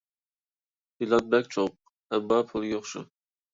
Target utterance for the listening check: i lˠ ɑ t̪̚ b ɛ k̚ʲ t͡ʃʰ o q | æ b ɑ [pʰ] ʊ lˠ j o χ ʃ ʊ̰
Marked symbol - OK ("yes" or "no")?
yes